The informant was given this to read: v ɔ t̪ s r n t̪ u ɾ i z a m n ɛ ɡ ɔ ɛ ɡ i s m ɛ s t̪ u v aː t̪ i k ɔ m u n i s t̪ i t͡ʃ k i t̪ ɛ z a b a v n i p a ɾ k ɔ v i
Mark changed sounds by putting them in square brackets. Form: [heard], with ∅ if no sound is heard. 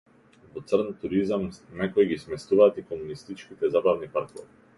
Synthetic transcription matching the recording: v ɔ t̪ s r n t̪ u ɾ i z a m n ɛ [k] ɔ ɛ ɡ i s m ɛ s t̪ u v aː t̪ i k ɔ m u n i s t̪ i t͡ʃ k i t̪ ɛ z a b a v n i p a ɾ k ɔ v i

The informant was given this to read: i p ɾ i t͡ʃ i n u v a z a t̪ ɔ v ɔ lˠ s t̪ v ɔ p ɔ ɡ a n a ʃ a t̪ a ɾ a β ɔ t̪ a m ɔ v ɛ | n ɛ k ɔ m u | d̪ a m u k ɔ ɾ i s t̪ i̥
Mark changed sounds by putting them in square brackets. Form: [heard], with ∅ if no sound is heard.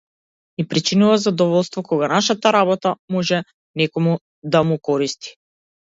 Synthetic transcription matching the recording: i p ɾ i t͡ʃ i n u v a z a [d̪] ɔ v ɔ lˠ s t̪ v ɔ [k] ɔ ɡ a n a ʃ a t̪ a ɾ a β ɔ t̪ a m ɔ [ʒ] ɛ | n ɛ k ɔ m u | d̪ a m u k ɔ ɾ i s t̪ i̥

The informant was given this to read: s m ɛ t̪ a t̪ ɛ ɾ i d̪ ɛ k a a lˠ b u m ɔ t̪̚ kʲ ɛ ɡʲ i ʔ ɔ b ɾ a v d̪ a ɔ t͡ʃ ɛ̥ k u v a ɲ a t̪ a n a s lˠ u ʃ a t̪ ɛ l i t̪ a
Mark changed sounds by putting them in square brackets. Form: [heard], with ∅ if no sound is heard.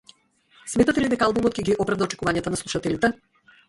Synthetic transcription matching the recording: s m ɛ t̪ a t̪ ɛ [l] i d̪ ɛ k a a lˠ b u m ɔ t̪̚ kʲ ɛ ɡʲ i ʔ ɔ [p] ɾ a v d̪ a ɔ t͡ʃ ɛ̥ k u v a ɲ a t̪ a n a s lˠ u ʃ a t̪ ɛ l i t̪ [ɛ]

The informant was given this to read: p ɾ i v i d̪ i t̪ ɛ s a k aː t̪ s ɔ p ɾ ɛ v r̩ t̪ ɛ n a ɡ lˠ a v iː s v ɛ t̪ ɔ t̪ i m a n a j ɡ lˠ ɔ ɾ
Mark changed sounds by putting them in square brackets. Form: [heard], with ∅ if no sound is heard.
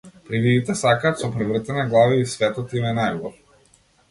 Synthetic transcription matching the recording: p ɾ i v i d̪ i t̪ ɛ s a k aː t̪ s ɔ p ɾ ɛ v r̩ t̪ ɛ n a ɡ lˠ a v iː s v ɛ t̪ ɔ t̪ i m [ɛ] n a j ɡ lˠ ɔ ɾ

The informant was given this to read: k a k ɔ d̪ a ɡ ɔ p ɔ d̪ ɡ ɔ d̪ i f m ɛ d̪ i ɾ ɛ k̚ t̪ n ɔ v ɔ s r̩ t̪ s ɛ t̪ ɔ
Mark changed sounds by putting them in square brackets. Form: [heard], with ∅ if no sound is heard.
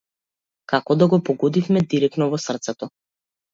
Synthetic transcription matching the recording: k a k ɔ d̪ a ɡ ɔ p ɔ [∅] ɡ ɔ d̪ i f m ɛ d̪ i ɾ ɛ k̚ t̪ n ɔ v ɔ s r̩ t̪ s ɛ t̪ ɔ

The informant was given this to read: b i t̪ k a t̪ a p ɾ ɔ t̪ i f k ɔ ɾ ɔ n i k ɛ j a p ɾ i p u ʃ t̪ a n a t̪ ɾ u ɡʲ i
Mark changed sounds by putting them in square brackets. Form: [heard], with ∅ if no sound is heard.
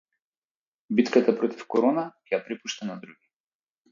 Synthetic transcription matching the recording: b i t̪ k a t̪ a p ɾ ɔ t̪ i f k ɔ ɾ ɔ n [a] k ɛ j a p ɾ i p u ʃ t̪ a n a [d̪] ɾ u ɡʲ i

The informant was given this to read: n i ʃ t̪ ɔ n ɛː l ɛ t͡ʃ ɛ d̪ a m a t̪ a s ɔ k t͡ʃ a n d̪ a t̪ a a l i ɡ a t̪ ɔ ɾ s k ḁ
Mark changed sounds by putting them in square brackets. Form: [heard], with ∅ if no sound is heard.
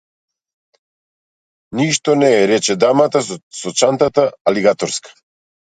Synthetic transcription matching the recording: n i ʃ t̪ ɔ n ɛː [ɾ] ɛ t͡ʃ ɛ d̪ a m a t̪ a s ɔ [∅] t͡ʃ a n [t̪] a t̪ a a l i ɡ a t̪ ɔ ɾ s k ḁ

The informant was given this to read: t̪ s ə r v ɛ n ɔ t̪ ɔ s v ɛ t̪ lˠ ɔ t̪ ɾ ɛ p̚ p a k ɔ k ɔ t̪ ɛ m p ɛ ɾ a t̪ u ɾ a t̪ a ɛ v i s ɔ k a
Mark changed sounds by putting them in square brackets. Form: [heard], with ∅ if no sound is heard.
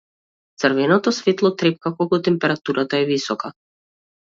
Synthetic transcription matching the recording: t̪ s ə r v ɛ n ɔ t̪ ɔ s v ɛ t̪ lˠ ɔ t̪ ɾ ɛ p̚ [k] a k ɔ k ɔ t̪ ɛ m p ɛ ɾ a t̪ u ɾ a t̪ a ɛ v i s ɔ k a

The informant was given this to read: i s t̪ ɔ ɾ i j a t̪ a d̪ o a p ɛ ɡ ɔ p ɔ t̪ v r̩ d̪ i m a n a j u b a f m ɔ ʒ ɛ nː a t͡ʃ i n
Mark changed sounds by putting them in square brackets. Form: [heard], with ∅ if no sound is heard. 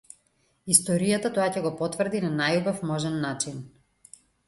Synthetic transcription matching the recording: i s t̪ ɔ ɾ i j a t̪ a [t̪] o a [c] ɛ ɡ ɔ p ɔ t̪ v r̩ d̪ i [n] a n a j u b a f m ɔ ʒ ɛ nː a t͡ʃ i n

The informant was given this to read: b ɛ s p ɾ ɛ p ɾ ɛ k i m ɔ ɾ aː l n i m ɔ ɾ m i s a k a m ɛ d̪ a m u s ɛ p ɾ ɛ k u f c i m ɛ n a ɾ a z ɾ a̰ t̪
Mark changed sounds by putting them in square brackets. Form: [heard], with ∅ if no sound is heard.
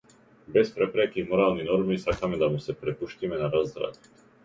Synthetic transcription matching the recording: b ɛ s p ɾ ɛ p ɾ ɛ k i m ɔ ɾ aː l n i [n] ɔ ɾ m i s a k a m ɛ d̪ a m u s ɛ p ɾ ɛ [p] u [ʃ] c i m ɛ n a ɾ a z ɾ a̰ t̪

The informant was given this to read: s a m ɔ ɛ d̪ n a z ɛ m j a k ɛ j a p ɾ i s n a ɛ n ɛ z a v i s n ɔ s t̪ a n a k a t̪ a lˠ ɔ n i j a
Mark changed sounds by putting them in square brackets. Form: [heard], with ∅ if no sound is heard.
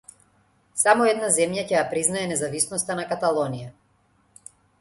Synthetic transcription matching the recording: s a m ɔ ɛ d̪ n a z ɛ m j a [c] ɛ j a p ɾ i [z] n a ɛ n ɛ z a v i s n ɔ s t̪ a n a k a t̪ a lˠ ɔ n i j a

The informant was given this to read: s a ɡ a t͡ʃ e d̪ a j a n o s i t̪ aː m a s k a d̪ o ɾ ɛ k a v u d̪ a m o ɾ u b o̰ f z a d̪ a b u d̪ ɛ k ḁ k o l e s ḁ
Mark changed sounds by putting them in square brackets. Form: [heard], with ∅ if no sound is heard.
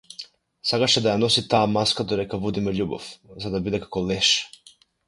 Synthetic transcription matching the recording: s a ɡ a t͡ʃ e d̪ a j a n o s i t̪ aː m a s k a d̪ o ɾ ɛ k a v u d̪ [i] m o [ʎ] u b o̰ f z a d̪ a b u d̪ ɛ k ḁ k o l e [ʃ] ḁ

